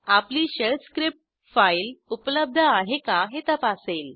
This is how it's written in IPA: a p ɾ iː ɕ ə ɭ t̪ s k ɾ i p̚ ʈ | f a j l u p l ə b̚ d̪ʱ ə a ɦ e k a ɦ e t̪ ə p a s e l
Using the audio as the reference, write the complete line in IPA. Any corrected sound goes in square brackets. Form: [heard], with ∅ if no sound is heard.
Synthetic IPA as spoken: a p [l] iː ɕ ə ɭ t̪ s k ɾ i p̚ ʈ | f a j l u p l ə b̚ d̪ʱ ə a ɦ e k a ɦ e t̪ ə p a s e l